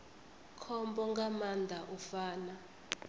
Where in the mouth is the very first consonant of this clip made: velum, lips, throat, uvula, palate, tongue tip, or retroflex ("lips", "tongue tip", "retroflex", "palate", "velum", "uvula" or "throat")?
velum